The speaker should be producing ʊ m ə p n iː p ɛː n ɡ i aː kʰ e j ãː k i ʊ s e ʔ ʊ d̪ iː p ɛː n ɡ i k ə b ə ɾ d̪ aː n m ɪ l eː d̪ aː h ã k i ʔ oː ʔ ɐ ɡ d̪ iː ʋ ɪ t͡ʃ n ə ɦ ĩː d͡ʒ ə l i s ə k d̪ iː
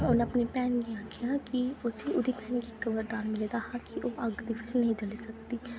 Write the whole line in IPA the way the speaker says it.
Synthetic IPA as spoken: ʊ n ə p n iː p ɛː n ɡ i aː kʰ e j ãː k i ʊ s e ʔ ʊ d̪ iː p ɛː n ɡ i k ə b ə ɾ d̪ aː n m ɪ l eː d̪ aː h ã k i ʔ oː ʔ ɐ ɡ d̪ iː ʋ ɪ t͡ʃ n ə ɦ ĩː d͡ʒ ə l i s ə k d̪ iː

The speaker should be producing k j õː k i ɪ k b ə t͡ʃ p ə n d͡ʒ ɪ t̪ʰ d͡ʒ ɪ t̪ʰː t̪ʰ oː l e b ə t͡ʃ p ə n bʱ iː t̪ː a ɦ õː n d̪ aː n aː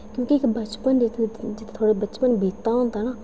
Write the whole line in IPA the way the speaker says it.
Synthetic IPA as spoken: k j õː k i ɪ k b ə t͡ʃ p ə n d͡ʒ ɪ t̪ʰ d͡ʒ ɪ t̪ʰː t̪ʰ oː ɽ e b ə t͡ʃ p ə n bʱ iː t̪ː a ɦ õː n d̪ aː n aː

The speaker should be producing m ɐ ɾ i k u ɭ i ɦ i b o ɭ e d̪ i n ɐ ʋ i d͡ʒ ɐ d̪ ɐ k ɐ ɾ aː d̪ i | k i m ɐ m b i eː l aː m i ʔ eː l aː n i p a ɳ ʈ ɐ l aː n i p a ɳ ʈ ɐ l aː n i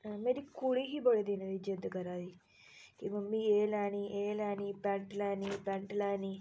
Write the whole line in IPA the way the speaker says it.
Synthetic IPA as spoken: m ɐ ɾ i k u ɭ i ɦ i b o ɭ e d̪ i n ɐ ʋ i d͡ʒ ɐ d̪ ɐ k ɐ ɾ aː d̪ i | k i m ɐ m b i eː l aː n i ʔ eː l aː n i p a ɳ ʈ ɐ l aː n i p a ɳ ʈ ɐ l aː n i

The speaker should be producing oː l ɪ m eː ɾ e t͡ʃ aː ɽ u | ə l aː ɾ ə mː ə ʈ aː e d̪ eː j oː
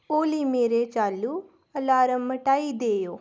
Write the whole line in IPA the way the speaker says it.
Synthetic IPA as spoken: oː l i m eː ɾ e t͡ʃ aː l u | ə l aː ɾ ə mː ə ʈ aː i d̪ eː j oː

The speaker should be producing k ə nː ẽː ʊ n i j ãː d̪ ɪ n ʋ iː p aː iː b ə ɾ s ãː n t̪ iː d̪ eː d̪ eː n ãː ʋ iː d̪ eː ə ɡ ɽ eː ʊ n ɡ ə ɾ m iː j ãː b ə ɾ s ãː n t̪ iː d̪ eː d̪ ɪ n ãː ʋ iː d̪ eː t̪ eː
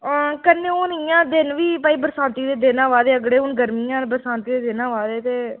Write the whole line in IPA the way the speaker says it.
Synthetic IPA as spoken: k ə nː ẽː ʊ n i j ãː d̪ ɪ n ʋ iː p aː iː b ə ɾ s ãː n t̪ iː d̪ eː d̪ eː n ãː ʋ aː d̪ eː ə ɡ ɽ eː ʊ n ɡ ə ɾ m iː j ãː b ə ɾ s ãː n t̪ iː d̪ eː d̪ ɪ n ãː ʋ aː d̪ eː t̪ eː

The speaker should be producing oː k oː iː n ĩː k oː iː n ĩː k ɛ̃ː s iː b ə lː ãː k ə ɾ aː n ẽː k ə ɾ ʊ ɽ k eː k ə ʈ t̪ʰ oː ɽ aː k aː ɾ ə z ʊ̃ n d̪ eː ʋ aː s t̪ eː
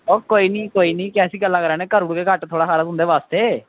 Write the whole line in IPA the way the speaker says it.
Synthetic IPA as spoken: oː k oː iː n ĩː k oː iː n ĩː k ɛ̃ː s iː ɡ ə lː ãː k ə ɾ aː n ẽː k ə ɾ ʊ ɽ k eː k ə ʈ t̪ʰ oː ɽ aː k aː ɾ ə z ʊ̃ n d̪ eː ʋ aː s t̪ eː

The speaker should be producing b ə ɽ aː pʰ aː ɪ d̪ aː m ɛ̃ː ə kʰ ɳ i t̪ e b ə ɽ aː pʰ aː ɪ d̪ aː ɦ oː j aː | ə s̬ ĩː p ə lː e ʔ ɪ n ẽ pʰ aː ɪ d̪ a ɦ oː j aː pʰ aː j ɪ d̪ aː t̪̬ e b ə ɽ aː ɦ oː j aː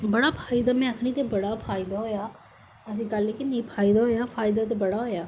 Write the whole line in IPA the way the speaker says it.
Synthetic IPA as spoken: b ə ɽ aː pʰ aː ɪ d̪ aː m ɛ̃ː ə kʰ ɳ i t̪ e b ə ɽ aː pʰ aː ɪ d̪ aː ɦ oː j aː | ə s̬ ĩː k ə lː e k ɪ n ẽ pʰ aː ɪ d̪ a ɦ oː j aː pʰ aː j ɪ d̪ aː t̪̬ e b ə ɽ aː ɦ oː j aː

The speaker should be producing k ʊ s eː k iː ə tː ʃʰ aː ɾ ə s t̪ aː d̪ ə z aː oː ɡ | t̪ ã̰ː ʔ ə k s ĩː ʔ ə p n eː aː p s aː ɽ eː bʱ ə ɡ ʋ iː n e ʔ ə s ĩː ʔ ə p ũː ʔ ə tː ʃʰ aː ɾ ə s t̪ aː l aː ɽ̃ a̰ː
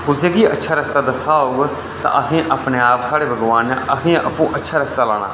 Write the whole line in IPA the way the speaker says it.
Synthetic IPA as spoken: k ʊ s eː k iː ə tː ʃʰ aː ɾ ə s t̪ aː d̪ ə s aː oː ɡ | t̪ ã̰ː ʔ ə s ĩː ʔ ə p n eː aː p s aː ɽ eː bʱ ə ɡ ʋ aː n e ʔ ə s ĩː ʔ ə p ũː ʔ ə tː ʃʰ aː ɾ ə s t̪ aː l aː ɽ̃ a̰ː

